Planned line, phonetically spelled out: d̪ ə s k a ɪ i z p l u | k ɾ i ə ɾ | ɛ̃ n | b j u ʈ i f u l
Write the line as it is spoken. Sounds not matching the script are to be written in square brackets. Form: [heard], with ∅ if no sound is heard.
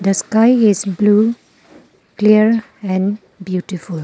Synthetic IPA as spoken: d̪ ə s k a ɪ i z [b] l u | k [l] i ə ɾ | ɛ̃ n | b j u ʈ i f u l